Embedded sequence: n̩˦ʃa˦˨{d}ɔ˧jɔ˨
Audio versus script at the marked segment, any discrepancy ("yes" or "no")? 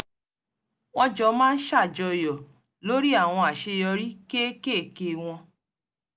yes